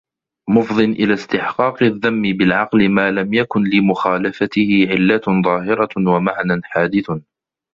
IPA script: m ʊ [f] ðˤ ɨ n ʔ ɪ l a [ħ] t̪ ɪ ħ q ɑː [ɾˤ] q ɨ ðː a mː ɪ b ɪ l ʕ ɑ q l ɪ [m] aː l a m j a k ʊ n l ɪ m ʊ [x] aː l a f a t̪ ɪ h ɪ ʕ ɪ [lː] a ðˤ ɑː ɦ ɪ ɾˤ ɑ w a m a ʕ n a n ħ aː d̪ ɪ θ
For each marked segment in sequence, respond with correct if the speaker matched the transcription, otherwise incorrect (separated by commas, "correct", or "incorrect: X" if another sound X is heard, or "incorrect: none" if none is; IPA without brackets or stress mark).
correct, incorrect: s, incorrect: none, correct, correct, correct